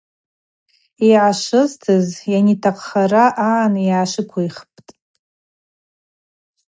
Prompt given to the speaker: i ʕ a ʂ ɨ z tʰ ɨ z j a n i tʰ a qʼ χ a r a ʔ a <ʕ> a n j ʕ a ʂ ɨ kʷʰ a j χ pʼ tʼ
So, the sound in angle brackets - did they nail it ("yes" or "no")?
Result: yes